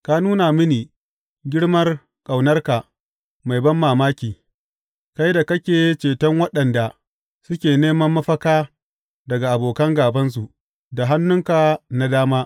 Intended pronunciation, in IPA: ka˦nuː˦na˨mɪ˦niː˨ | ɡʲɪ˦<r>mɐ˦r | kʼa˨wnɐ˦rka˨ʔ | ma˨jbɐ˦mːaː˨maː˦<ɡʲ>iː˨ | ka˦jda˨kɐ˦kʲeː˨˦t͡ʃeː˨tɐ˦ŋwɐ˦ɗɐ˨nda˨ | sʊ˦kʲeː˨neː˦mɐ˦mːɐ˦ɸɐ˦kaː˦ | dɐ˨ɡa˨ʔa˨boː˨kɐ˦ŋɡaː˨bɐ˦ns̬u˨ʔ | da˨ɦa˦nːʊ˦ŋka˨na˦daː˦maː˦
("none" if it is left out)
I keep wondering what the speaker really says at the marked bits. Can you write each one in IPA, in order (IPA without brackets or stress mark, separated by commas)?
ɽ, kʲ